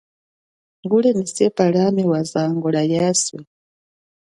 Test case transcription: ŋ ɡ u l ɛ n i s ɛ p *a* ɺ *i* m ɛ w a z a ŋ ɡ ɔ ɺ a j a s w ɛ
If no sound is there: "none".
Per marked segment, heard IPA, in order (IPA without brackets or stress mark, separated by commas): a, a